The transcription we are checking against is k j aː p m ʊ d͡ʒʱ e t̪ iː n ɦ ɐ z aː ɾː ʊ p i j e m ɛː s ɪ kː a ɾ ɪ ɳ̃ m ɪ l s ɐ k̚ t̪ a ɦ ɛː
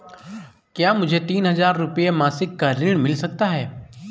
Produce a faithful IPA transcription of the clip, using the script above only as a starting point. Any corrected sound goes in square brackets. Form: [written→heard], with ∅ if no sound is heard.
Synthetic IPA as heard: k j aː [p→∅] m ʊ d͡ʒʱ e t̪ iː n ɦ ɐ z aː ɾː ʊ p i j e m [ɛː→aː] s ɪ kː a ɾ ɪ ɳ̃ m ɪ l s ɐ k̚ t̪ a ɦ ɛː

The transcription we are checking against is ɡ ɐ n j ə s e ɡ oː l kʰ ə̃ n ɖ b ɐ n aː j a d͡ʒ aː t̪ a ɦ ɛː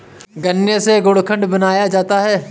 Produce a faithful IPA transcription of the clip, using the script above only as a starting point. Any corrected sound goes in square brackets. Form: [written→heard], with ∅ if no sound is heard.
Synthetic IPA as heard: ɡ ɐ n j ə s e ɡ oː [l→ɽ] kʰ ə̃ [n→ɳ] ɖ b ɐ n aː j a d͡ʒ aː t̪ a ɦ ɛː

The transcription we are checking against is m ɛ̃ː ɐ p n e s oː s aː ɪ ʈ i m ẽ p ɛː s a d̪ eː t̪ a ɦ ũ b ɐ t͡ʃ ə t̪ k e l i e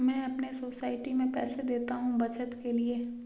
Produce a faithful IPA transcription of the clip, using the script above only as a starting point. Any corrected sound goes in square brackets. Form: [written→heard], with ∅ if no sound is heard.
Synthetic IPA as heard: m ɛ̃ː ɐ p n e s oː s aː ɪ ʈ i m ẽ p ɛː s [a→e] d̪ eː t̪ a ɦ ũ b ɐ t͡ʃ ə t̪ k e l i e

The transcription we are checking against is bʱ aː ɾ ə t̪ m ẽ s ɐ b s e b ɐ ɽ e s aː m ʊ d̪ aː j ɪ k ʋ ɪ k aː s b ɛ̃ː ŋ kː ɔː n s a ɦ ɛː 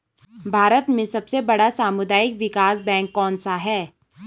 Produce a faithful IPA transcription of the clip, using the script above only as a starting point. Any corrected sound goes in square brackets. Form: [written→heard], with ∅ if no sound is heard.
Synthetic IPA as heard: bʱ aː ɾ ə t̪ m ẽ s ɐ b s e b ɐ ɽ [e→a] s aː m ʊ d̪ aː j ɪ k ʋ ɪ k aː s b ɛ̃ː ŋ kː ɔː n s a ɦ ɛː

